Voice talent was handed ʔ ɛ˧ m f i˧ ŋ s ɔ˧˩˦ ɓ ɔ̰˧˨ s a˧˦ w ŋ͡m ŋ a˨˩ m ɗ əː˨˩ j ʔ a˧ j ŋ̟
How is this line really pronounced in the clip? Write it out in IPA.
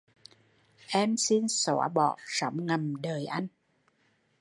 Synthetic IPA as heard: ʔ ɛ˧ m s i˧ n s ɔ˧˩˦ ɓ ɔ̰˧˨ s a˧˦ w ŋ͡m ŋ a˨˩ m ɗ əː˨˩ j ʔ a˧ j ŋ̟